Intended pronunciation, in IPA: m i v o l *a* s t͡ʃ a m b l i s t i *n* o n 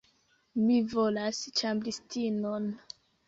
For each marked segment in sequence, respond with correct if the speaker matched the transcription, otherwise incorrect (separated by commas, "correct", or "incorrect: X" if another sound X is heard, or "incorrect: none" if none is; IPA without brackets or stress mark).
correct, correct